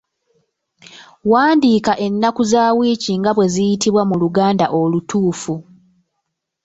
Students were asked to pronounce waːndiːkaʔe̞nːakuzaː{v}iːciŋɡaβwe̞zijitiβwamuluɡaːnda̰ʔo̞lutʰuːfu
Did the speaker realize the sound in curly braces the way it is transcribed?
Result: no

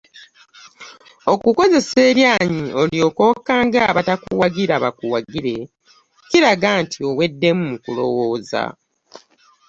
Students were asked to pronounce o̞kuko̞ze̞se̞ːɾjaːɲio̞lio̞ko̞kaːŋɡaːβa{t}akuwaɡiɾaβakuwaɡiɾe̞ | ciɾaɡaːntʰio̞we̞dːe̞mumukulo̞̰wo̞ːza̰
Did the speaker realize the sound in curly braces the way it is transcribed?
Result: yes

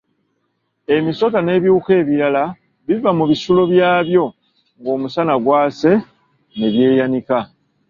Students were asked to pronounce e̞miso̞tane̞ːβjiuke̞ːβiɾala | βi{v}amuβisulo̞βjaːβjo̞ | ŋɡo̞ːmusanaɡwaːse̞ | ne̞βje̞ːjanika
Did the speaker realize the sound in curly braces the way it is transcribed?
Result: yes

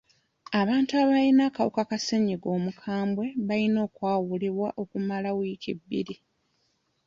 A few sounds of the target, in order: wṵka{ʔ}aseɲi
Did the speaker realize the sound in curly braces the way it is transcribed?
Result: no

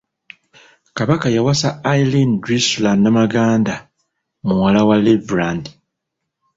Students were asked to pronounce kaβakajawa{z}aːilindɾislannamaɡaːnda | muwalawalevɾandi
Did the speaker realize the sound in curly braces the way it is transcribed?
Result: no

